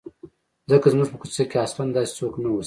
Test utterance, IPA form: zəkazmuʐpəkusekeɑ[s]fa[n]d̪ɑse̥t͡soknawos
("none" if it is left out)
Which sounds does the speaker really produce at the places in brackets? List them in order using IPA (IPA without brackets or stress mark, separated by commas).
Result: s, n